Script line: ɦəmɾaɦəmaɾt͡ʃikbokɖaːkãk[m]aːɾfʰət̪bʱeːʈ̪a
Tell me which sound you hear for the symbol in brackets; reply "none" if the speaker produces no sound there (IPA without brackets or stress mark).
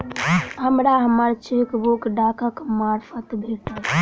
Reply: m